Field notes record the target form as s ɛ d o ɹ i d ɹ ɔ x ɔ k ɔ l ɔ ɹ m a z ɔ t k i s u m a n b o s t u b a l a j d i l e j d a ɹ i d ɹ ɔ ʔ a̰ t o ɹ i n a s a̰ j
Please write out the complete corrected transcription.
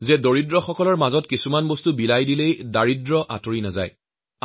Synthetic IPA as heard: z ɛ d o ɹ i d ɹ ɔ x ɔ k ɔ l ɔ ɹ m a z ɔ t k i s u m a n b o s t u b i l a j d i l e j d a ɹ i d ɹ ɔ ʔ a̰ t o ɹ i n a z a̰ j